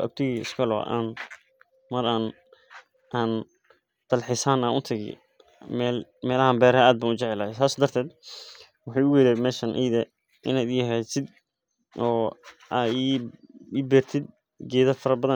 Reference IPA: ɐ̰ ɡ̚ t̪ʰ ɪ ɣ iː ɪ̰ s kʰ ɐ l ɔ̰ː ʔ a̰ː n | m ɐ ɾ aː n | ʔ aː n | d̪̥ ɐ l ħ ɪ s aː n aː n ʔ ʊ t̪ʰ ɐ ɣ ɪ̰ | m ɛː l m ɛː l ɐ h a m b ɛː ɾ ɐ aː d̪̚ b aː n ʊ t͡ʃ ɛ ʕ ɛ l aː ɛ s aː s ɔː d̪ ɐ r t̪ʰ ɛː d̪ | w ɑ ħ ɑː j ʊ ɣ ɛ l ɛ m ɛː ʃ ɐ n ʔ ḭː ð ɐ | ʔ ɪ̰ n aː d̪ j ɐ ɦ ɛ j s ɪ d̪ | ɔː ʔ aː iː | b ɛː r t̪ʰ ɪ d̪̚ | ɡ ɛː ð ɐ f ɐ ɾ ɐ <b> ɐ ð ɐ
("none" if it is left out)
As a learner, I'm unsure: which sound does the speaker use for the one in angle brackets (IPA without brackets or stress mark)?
b